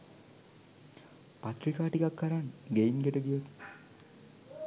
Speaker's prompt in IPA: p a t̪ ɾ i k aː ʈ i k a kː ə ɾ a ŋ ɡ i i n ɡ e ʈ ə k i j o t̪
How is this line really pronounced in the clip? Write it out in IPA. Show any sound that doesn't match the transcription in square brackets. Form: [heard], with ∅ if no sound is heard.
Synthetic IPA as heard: p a t̪ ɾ i k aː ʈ i k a kː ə ɾ a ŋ ɡ [e] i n ɡ e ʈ ə [ɡ] i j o t̪

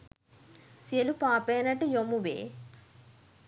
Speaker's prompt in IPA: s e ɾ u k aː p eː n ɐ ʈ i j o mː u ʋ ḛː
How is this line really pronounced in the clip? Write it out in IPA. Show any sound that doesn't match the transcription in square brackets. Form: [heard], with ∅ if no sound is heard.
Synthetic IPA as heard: s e [l] u [p] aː p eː n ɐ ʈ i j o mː u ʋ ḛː

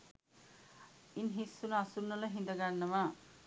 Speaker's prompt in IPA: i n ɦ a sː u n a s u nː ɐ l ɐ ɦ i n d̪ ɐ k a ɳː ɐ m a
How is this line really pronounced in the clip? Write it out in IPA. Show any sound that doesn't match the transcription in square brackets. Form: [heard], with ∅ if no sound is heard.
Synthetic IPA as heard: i n ɦ [i] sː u n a s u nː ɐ l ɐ ɦ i n d̪ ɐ [ɡ] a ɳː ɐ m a

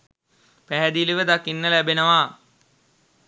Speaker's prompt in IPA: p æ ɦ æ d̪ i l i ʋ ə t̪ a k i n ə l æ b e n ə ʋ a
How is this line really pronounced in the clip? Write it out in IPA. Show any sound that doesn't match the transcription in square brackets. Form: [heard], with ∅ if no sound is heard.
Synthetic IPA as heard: p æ ɦ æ d̪ i l i ʋ ə [d̪] a k i [nː] ə l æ b e n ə ʋ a

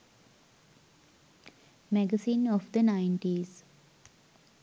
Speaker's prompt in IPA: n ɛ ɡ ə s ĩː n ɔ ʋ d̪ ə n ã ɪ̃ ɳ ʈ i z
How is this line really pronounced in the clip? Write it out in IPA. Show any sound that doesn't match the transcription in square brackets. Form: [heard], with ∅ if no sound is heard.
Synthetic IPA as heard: [m] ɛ ɡ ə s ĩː n ɔ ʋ d̪ ə n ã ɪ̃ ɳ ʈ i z

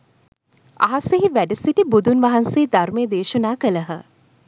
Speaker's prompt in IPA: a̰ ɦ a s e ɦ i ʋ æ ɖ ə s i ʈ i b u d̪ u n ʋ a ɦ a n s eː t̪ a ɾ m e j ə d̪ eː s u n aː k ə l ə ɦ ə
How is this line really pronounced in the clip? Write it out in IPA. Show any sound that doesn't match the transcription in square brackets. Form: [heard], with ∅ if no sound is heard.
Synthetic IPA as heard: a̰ ɦ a s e ɦ i ʋ æ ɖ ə s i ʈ i b u d̪ u n ʋ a ɦ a n s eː [d̪] a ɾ m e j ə d̪ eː [ʃ] u n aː k ə l ə ɦ ə

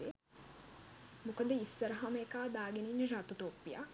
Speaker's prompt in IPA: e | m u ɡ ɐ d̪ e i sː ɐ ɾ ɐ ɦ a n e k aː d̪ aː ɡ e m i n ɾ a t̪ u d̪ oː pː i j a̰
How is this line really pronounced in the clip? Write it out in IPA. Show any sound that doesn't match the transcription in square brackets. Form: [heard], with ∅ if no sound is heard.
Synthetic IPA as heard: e | m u [k] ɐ d̪ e i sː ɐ ɾ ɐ ɦ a [m] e k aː d̪ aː ɡ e [n] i n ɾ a t̪ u [t̪] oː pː i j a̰

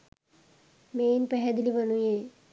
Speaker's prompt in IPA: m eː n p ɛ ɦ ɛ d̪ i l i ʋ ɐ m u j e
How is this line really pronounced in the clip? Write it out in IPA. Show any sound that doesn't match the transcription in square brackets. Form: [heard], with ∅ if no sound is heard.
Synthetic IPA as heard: m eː n p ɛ ɦ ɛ d̪ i l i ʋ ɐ [n] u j e

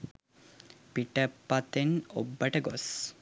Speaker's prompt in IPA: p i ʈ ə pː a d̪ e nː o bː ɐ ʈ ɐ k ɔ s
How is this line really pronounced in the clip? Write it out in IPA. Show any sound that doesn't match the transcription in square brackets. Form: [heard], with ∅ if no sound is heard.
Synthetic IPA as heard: p i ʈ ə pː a [t̪] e [n] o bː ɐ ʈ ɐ [ɡ] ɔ s

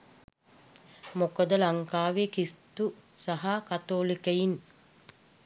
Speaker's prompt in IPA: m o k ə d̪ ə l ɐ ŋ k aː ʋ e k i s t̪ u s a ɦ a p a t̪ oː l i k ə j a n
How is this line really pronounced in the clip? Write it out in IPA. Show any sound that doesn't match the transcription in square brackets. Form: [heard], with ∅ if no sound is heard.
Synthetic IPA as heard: m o k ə d̪ ə l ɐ ŋ k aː ʋ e k i s t̪ u s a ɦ a [k] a t̪ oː l i k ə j [i] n

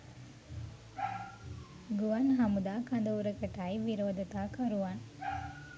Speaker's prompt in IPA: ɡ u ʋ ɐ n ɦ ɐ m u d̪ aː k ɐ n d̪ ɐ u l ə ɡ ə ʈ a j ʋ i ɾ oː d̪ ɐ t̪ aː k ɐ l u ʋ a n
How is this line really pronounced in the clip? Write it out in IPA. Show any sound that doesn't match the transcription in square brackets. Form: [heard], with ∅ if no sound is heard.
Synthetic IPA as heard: ɡ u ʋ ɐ n ɦ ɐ m u d̪ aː k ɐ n d̪ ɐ u [ɾ] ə [k] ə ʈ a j ʋ i ɾ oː d̪ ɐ t̪ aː k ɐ [ɾ] u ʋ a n

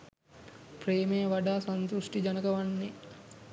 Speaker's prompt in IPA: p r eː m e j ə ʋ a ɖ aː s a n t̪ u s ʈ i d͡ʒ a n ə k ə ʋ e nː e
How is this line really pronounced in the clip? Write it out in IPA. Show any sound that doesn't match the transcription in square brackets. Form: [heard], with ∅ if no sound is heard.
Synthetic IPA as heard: p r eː m e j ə ʋ a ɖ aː s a n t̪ u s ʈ i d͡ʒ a n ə k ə ʋ [a] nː e

